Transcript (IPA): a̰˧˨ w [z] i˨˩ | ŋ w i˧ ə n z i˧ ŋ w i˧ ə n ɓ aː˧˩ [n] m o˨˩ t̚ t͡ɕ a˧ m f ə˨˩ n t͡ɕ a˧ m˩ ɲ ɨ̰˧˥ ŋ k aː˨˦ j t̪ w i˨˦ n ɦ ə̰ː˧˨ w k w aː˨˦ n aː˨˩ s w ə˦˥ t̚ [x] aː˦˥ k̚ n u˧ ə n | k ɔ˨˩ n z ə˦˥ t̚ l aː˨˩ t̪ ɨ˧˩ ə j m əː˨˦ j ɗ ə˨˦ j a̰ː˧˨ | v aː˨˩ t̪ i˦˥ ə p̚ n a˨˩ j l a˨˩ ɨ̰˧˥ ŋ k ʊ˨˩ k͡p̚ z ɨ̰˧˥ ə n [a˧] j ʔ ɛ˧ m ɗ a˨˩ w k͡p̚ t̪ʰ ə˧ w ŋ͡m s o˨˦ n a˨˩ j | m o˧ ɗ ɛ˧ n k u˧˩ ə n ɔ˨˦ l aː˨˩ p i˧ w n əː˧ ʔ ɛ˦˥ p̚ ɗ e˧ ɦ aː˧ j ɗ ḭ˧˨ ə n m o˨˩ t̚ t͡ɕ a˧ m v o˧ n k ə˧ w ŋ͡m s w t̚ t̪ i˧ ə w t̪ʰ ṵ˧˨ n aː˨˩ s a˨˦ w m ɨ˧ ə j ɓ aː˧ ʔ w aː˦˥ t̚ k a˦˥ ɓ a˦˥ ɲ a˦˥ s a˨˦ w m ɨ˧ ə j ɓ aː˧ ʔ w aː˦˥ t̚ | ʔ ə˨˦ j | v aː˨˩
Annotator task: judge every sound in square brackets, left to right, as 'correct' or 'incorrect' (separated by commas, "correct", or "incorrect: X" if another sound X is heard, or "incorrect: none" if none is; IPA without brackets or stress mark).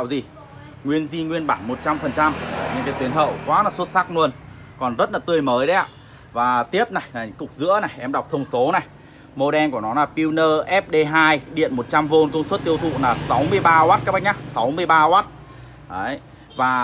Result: correct, correct, incorrect: s, incorrect: a˨˩